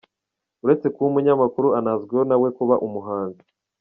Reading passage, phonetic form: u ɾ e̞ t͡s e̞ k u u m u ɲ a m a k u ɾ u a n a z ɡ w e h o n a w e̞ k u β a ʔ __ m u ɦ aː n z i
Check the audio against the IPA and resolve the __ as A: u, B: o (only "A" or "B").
A